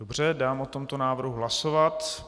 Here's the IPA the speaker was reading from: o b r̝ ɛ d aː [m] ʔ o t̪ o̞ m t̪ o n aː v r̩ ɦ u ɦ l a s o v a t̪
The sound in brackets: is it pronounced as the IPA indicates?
yes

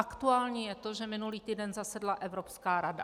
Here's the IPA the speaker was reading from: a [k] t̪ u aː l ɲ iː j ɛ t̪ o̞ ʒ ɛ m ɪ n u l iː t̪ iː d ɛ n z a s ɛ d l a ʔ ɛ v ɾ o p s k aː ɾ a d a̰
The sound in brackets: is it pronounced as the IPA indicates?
yes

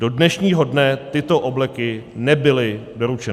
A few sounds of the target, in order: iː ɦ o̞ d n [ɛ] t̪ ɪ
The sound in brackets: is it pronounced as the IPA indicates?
yes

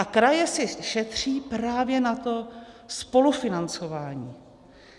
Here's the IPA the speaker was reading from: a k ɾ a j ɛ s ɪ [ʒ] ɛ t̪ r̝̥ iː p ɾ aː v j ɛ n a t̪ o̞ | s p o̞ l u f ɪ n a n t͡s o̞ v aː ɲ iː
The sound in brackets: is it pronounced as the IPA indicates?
no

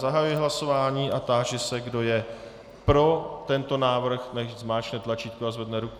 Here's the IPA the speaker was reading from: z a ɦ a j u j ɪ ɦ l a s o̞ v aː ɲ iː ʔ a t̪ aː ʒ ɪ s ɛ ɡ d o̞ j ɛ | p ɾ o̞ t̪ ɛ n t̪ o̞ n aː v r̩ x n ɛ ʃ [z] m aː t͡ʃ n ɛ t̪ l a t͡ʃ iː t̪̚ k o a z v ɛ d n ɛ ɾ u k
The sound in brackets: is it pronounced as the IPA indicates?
yes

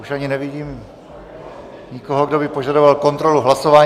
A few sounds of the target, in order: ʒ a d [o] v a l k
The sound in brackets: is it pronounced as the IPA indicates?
yes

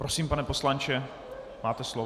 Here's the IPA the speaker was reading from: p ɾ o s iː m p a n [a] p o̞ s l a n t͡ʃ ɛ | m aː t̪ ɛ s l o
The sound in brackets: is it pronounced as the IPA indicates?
no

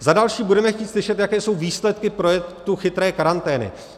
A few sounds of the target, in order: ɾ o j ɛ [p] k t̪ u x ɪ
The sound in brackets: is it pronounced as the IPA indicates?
no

